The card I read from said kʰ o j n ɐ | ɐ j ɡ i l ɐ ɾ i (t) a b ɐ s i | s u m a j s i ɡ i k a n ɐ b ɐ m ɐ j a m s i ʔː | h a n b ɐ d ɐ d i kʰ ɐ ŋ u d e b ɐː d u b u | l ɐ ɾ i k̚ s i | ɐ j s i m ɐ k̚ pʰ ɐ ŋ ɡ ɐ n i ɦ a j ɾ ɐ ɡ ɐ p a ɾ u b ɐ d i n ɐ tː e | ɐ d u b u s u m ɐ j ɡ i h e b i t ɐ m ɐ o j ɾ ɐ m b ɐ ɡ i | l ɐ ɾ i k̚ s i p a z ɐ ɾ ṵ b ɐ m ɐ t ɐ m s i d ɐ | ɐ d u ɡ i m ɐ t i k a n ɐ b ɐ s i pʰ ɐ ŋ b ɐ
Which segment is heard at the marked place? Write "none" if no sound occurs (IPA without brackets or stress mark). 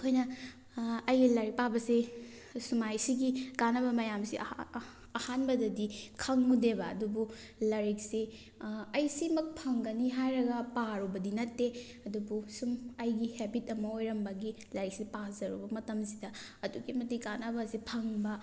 p